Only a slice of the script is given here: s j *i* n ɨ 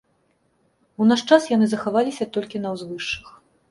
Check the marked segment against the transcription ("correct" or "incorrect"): incorrect